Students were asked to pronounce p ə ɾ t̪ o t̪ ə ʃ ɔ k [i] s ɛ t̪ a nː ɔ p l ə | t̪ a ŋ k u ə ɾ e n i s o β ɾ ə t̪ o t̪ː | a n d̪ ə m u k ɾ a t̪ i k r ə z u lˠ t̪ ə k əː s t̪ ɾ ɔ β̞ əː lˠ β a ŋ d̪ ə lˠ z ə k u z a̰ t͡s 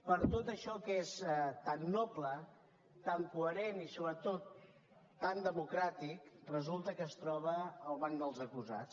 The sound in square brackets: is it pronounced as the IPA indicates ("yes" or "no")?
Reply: no